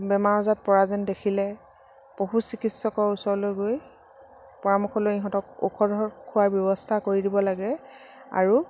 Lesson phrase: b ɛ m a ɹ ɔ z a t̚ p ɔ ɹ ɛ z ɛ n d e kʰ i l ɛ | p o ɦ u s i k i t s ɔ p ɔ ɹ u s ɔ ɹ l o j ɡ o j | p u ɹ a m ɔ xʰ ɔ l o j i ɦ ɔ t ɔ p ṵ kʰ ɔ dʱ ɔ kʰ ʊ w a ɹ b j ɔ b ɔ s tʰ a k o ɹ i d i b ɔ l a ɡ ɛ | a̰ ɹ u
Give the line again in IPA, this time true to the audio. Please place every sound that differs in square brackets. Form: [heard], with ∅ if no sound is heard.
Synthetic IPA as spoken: b ɛ m a ɹ ɔ z a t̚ p ɔ ɹ [a] z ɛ n d e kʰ i l ɛ | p o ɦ u s i k i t s ɔ [k] ɔ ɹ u s ɔ ɹ l o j ɡ o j | p [ɔ] ɹ a m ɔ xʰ ɔ l o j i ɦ ɔ t ɔ [k] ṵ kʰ ɔ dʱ ɔ kʰ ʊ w a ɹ b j ɔ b ɔ s tʰ a k o ɹ i d i b ɔ l a ɡ ɛ | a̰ ɹ u